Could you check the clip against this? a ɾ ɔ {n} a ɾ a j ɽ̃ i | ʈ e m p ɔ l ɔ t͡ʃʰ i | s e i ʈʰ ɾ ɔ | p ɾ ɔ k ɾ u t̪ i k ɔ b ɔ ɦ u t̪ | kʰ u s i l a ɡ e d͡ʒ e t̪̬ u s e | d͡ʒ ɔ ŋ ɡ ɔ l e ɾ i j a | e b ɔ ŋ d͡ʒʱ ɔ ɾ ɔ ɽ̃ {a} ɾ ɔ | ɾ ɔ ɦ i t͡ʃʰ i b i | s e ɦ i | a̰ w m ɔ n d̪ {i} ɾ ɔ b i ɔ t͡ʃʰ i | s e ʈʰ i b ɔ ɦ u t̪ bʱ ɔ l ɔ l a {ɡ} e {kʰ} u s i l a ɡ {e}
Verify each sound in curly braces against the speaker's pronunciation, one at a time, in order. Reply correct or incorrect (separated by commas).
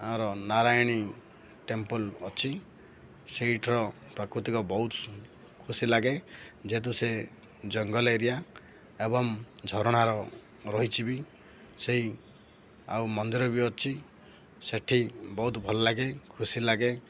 correct, correct, correct, correct, correct, correct